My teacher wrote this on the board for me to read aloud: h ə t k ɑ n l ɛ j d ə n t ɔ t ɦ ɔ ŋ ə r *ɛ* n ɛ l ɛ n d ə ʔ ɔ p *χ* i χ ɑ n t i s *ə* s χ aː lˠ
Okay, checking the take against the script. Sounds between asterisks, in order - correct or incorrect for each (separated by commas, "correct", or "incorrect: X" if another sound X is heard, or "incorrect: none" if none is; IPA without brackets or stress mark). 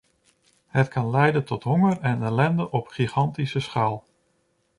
correct, correct, correct